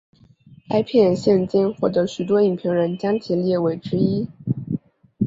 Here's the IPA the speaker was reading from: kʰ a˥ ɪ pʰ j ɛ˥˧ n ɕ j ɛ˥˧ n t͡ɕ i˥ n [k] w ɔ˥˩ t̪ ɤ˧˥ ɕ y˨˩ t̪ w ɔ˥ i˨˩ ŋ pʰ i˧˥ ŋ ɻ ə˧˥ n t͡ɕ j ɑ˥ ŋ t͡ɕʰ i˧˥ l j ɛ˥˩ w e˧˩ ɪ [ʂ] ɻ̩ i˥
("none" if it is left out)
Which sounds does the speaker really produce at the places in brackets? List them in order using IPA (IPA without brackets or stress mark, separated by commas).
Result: x, ʈ͡ʂ